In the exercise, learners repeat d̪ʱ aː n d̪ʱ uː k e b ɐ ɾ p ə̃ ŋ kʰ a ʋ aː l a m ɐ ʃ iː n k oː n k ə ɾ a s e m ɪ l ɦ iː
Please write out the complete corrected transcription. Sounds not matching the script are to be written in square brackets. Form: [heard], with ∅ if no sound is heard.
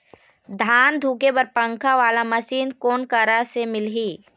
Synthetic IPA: d̪ʱ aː n d̪ʱ uː k e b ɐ ɾ p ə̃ ŋ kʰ a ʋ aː l a m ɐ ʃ iː n k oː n k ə ɾ a s e m ɪ l ɦ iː